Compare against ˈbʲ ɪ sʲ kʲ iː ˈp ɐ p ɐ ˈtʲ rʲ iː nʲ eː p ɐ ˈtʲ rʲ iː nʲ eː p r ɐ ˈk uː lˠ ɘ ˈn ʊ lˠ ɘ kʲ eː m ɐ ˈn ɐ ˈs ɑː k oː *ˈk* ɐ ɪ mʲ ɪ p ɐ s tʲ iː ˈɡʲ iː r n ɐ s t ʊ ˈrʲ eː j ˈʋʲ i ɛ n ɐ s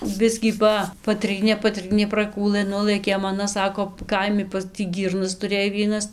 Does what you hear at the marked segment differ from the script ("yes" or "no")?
no